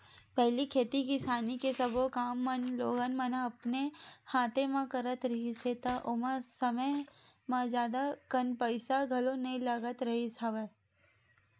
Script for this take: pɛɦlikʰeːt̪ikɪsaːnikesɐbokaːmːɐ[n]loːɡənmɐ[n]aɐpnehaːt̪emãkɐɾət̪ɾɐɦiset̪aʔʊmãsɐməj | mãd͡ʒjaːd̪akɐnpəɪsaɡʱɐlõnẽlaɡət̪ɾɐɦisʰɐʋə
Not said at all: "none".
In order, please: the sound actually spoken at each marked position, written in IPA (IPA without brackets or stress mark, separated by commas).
n, n